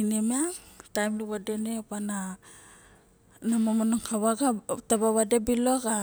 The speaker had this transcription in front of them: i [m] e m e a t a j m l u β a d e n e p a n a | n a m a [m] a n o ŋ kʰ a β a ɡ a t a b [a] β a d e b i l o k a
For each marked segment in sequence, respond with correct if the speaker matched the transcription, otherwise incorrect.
incorrect, correct, correct

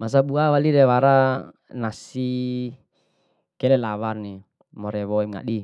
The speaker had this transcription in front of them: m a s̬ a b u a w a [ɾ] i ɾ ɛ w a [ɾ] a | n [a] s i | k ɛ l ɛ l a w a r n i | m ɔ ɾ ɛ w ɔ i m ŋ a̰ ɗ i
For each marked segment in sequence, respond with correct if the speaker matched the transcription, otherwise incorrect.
incorrect, correct, correct

